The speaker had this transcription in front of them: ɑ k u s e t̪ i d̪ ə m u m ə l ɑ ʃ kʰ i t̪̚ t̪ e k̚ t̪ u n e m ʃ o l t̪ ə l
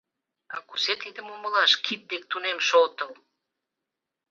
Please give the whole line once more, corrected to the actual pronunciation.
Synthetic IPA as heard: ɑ k u s e t̪ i d̪ ə m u m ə l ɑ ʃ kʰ i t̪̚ d̪ e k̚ t̪ u n e m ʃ o l t̪ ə l